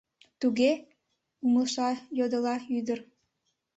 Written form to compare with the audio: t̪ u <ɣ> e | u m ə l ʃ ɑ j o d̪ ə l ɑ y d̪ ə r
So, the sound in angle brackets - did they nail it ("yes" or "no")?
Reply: yes